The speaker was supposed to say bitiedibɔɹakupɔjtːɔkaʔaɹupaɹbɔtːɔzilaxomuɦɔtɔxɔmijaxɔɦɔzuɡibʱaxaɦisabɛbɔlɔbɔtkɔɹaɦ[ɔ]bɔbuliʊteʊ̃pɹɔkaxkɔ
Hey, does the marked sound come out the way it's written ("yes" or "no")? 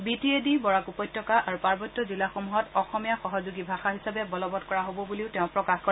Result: no